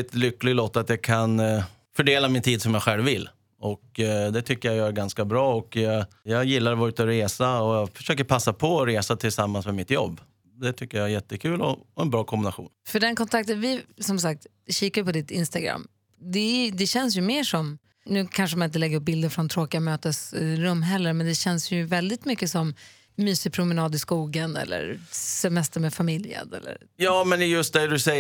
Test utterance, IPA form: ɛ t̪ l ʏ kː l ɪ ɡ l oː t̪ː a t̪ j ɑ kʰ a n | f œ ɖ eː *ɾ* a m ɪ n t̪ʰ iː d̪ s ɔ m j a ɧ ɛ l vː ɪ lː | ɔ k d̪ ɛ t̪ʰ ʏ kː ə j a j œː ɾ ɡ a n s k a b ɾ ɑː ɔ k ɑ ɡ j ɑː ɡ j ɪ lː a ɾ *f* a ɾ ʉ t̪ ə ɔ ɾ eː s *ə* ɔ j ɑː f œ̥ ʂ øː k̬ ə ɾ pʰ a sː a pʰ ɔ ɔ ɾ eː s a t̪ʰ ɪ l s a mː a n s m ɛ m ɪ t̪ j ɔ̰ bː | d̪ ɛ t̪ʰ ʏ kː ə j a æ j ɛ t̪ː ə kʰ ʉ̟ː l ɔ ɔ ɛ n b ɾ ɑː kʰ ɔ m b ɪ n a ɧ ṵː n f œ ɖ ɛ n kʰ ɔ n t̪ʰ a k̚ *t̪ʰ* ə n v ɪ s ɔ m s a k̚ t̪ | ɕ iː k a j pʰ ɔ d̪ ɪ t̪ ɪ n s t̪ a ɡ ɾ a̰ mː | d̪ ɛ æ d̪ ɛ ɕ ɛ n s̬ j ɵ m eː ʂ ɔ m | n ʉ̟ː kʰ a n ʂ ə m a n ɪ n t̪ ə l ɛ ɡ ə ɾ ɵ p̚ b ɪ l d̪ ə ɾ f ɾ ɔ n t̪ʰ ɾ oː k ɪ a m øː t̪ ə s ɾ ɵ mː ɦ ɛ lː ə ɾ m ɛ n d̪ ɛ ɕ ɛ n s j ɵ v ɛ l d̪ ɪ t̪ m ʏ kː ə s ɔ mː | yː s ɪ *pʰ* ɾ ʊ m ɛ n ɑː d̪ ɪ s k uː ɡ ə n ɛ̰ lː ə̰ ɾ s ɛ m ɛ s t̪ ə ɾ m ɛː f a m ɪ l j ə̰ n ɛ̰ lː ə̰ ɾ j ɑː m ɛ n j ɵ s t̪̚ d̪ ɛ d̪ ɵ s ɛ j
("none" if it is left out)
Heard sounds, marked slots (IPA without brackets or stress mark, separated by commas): l, v, a, t̪, pʰ